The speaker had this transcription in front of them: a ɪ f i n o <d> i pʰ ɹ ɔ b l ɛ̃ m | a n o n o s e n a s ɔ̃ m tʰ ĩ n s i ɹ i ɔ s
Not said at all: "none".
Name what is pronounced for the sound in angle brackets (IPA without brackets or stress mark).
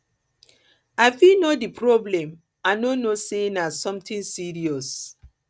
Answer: d